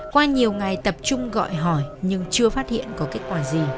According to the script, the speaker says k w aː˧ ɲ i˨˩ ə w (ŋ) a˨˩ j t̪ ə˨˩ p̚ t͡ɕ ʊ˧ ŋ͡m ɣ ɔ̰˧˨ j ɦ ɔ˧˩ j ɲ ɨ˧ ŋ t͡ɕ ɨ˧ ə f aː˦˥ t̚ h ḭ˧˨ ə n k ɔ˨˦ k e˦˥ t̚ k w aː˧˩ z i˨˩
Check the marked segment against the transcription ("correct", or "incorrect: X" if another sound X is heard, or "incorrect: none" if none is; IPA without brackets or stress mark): correct